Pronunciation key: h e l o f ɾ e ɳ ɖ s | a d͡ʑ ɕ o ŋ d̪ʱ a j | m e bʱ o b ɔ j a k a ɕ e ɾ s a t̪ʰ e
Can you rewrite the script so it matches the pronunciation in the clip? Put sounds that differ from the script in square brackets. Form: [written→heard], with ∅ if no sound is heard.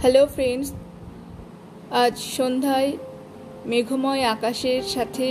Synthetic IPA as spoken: h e l o f ɾ e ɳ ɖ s | a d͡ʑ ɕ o [ŋ→n] d̪ʱ a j | m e [bʱ→ɡʱ] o [b→m] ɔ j a k a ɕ e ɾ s a t̪ʰ e